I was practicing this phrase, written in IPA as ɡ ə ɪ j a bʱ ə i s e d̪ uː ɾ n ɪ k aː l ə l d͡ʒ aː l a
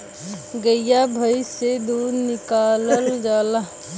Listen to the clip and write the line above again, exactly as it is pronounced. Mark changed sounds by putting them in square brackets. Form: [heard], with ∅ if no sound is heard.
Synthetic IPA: ɡ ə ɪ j a bʱ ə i s e d̪ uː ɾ n ɪ k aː l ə l d͡ʒ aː l a